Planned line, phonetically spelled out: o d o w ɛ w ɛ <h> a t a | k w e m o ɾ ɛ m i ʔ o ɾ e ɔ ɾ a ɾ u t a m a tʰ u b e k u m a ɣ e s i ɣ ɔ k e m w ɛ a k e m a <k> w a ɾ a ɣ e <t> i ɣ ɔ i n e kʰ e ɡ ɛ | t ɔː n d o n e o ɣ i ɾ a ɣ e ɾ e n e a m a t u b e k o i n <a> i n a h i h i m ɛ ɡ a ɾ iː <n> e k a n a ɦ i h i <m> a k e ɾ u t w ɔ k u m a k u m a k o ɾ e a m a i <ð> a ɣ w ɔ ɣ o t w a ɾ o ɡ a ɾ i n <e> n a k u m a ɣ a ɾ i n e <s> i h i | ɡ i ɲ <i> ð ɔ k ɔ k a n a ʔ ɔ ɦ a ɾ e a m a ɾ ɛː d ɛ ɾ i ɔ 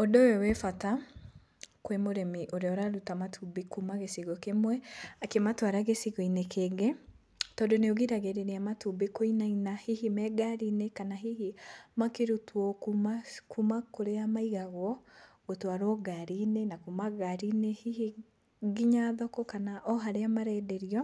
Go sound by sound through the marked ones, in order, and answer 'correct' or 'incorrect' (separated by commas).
incorrect, incorrect, incorrect, correct, correct, correct, incorrect, correct, incorrect, incorrect